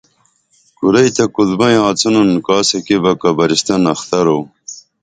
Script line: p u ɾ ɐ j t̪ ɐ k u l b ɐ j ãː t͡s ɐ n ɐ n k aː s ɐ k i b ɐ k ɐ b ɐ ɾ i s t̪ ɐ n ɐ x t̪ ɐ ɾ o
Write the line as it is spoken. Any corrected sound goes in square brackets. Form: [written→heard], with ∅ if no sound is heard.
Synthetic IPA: [p→k] u ɾ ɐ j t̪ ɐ k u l b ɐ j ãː t͡s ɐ n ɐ n k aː s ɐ k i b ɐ k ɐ b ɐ ɾ i s t̪ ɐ n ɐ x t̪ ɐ ɾ o